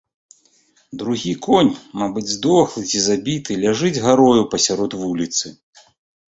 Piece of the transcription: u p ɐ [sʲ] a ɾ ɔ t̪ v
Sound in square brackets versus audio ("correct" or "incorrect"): correct